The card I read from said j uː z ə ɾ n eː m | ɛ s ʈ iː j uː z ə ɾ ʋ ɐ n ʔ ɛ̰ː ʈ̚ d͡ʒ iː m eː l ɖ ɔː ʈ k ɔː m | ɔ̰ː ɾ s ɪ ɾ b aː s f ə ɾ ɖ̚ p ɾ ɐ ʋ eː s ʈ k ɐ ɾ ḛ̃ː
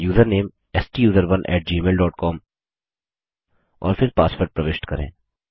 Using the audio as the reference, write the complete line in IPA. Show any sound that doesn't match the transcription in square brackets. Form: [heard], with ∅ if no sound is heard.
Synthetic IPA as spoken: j uː z ə ɾ n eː m | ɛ s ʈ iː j uː z ə ɾ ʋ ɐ n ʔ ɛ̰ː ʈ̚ d͡ʒ iː m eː l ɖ ɔː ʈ k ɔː m | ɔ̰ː ɾ [f] ɪ ɾ [p] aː s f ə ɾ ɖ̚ p ɾ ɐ ʋ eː [ʃ] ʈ k ɐ ɾ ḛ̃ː